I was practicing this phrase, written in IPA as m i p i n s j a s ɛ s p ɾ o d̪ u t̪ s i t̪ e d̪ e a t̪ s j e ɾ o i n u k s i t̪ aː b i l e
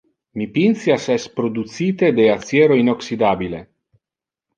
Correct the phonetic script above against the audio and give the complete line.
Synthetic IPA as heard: m i p i n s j a s ɛ s p ɾ o d̪ u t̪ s i t̪ e d̪ e a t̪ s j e ɾ o i n o k s i d̪ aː b i l e